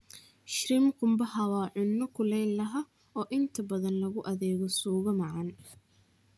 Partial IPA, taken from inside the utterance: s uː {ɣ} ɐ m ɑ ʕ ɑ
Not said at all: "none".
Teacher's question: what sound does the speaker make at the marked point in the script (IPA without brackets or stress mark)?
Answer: ɣ